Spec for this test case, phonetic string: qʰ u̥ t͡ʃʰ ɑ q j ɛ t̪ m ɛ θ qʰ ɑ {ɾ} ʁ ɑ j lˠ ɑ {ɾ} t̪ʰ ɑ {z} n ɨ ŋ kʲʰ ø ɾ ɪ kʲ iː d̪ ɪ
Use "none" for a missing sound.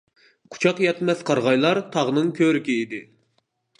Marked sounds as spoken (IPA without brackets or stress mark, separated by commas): ɾ, ɾ, ʁ